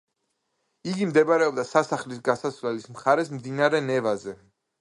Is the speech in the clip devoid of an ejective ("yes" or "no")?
yes